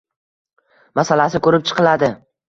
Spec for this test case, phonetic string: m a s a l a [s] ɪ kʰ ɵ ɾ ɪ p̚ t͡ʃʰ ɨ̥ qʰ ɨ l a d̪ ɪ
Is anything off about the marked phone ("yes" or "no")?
no